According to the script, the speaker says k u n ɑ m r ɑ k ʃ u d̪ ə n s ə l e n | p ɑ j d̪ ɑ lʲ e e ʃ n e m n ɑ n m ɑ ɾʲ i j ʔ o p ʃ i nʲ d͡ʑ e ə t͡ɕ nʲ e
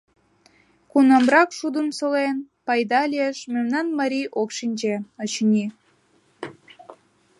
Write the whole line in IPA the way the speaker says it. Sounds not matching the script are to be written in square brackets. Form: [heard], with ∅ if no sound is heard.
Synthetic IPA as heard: k u n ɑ m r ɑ k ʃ u d̪ ə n s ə l e n | p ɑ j d̪ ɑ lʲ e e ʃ [m] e m n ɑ n m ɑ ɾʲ i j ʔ o [k] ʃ i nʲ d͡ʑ e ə t͡ɕ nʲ [i]